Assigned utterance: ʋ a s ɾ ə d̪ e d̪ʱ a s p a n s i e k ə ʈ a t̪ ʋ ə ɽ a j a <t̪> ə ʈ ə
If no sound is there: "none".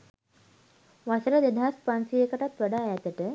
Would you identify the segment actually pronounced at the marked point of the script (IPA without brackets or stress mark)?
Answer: t̪